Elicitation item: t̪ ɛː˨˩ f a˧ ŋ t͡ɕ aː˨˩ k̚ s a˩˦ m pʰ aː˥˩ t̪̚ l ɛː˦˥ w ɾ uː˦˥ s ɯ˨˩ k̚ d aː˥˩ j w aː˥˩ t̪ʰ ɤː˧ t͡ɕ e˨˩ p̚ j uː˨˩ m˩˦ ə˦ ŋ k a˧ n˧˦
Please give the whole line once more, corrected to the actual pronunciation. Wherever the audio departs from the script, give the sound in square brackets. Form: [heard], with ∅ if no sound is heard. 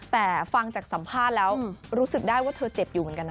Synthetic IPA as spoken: t̪ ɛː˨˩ f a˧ ŋ t͡ɕ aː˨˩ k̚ s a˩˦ m pʰ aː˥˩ t̪̚ l ɛː˦˥ w ɾ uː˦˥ s ɯ˨˩ k̚ d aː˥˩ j w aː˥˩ t̪ʰ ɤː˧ t͡ɕ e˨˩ p̚ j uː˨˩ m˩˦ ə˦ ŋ k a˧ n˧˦